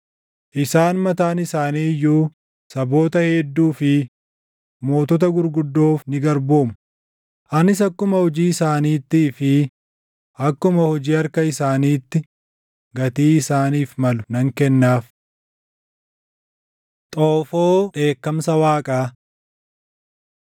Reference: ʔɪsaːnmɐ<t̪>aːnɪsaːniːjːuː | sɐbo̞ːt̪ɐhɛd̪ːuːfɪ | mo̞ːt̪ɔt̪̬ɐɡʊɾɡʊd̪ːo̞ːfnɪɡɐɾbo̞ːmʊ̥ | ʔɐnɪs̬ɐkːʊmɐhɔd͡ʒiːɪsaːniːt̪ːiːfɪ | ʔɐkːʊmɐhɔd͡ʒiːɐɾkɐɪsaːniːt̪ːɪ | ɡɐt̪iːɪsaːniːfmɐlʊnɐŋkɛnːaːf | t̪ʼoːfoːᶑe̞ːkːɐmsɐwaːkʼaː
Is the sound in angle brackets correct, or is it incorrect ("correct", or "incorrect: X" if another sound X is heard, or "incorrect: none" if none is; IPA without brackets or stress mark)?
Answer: correct